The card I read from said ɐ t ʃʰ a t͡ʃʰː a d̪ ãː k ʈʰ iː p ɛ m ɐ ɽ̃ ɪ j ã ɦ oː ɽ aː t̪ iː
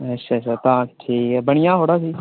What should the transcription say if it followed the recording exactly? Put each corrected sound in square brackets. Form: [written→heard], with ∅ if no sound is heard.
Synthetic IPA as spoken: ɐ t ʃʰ a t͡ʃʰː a [d̪→t̪] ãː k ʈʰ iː [p→k] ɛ [m→b] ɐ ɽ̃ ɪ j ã ɦ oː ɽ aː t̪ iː